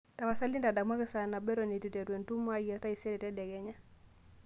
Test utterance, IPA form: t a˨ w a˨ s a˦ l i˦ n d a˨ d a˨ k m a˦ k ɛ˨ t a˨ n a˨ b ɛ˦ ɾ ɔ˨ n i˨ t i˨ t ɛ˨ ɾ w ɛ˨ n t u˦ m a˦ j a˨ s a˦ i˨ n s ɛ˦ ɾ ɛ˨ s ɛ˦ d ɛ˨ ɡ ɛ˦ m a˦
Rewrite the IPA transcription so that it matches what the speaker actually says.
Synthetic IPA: t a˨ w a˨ s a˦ l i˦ n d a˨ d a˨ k m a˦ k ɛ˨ s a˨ n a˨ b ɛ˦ ɾ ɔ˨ n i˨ t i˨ t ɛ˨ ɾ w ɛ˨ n t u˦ m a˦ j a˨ t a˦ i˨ s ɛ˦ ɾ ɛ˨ t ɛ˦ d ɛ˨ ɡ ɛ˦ ɲ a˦